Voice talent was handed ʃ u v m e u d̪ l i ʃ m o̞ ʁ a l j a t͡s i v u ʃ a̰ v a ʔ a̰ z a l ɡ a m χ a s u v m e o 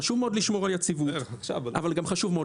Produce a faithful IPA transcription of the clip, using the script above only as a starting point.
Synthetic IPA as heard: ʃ u v m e o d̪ l i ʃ m o̞ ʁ a l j a t͡s i v u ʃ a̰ v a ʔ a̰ v a l ɡ a m χ a ʃ u v m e o